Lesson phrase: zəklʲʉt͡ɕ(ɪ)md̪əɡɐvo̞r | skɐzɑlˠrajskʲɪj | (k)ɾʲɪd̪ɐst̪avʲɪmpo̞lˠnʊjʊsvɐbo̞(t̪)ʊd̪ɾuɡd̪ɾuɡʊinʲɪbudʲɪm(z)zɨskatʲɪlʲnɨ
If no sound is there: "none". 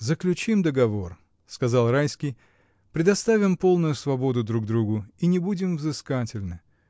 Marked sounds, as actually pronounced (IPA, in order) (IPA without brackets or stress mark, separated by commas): i, p, d̪, v